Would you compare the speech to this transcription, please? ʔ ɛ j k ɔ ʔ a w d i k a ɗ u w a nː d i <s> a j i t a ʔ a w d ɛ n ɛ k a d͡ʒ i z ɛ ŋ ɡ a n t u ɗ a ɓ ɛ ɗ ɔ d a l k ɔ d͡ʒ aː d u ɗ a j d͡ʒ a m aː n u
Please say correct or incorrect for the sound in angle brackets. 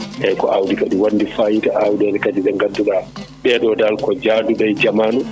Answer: incorrect